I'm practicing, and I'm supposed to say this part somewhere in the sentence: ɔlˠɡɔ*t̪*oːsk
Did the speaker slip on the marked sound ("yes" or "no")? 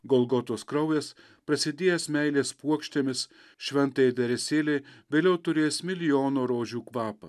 no